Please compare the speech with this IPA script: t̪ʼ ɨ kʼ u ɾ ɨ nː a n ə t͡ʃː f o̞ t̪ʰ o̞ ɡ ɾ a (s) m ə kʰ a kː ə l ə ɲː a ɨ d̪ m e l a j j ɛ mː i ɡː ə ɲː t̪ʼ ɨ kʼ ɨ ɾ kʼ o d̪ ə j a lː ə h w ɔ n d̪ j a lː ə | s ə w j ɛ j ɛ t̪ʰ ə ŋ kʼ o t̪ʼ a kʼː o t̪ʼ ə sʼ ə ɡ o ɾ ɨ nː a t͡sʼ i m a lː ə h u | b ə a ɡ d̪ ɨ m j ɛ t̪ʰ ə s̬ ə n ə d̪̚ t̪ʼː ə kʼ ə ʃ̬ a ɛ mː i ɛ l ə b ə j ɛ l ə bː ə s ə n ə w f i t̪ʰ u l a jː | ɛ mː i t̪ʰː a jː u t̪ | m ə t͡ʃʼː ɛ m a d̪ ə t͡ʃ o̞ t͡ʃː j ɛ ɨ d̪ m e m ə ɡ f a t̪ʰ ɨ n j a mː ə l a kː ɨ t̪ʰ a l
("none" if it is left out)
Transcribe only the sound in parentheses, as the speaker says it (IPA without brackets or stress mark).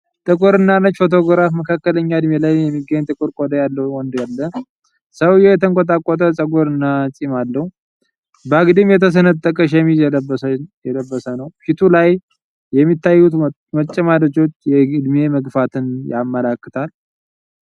f